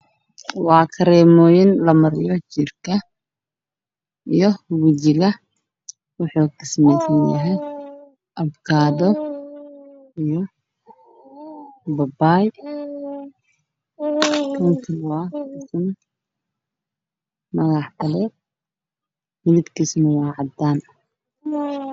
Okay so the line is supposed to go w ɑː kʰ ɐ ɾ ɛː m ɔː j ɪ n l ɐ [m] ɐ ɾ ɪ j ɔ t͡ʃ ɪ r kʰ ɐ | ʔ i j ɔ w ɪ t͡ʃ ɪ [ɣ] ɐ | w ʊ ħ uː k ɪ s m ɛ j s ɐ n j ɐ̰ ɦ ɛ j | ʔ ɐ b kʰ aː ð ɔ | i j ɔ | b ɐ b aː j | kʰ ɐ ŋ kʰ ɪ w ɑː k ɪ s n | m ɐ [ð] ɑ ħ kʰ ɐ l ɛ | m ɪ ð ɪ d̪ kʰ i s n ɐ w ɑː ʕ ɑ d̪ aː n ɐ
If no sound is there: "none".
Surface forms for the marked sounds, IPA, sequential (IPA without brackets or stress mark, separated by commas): m, ɣ, ɣ